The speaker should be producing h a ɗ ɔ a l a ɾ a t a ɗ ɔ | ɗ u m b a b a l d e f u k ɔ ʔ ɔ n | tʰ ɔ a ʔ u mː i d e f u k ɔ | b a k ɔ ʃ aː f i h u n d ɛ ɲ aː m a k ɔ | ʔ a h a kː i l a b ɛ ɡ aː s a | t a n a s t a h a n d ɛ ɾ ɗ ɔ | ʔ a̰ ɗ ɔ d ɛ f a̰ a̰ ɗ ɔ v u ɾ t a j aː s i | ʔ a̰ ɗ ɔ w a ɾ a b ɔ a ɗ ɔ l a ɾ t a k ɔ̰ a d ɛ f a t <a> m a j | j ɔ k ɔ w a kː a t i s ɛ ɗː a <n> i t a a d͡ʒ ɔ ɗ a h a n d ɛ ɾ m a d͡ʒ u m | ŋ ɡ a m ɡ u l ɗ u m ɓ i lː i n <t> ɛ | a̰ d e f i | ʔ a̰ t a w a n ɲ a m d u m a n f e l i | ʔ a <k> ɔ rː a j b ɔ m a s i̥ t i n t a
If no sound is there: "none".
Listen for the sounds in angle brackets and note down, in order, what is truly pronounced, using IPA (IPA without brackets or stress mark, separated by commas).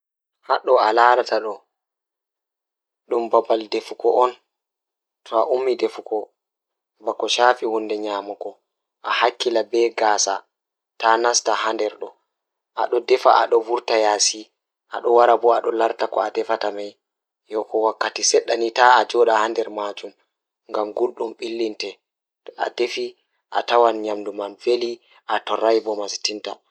a, n, t, t